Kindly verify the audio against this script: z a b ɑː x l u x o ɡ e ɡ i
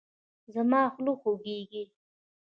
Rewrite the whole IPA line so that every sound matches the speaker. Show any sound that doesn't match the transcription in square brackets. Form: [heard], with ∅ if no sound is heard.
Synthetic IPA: z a [m] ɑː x l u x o ɡ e ɡ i